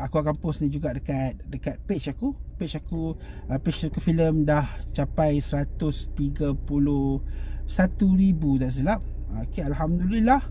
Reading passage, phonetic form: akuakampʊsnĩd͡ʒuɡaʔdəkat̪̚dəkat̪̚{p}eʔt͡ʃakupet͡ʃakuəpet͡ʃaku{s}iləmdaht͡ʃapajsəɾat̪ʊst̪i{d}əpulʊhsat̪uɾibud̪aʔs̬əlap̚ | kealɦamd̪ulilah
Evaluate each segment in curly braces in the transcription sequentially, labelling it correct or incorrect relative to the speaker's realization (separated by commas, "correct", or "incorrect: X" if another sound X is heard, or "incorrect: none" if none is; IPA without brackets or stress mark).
correct, incorrect: f, incorrect: ɡ